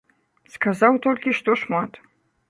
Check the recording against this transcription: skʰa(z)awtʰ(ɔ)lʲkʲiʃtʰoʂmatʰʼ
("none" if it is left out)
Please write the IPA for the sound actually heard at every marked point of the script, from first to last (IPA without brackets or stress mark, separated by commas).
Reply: z, o